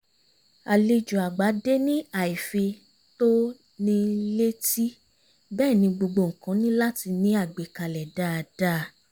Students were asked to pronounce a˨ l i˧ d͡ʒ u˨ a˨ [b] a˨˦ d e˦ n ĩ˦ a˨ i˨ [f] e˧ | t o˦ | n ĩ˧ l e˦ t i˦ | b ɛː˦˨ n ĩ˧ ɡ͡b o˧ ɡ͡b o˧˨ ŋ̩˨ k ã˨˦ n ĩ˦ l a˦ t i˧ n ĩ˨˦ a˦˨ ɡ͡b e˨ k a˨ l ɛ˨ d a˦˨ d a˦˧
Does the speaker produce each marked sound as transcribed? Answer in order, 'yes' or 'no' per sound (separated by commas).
no, yes